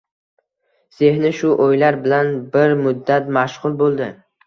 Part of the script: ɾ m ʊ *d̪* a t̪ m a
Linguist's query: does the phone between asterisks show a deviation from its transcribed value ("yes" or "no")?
yes